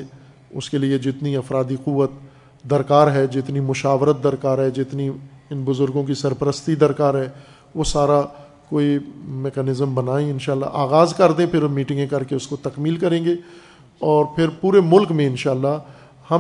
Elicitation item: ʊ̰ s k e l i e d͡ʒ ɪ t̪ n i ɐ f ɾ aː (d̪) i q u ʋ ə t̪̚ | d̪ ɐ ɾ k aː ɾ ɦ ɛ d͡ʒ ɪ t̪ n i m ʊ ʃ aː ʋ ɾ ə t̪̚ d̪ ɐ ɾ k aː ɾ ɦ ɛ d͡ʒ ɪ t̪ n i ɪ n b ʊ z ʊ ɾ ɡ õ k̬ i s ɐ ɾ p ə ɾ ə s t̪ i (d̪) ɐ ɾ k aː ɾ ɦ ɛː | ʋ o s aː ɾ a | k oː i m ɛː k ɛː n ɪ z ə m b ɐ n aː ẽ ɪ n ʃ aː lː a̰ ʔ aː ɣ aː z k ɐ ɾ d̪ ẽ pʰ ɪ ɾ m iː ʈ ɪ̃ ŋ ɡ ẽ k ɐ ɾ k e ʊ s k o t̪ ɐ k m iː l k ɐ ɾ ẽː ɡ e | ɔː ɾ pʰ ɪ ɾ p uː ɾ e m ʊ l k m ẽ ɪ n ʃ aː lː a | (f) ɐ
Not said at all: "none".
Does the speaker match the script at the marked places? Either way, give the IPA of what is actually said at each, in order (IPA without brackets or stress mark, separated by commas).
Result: d̪, d̪, h